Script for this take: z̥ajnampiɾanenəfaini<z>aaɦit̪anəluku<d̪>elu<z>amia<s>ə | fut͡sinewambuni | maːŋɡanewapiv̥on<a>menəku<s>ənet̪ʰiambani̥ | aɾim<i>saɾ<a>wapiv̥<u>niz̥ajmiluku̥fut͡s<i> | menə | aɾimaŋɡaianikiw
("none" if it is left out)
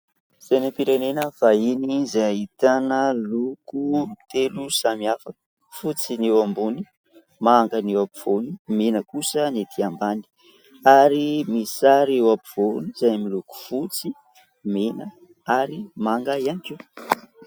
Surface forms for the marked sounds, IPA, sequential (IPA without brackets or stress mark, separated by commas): z, t̪, s, f, i, s, i, e, o, i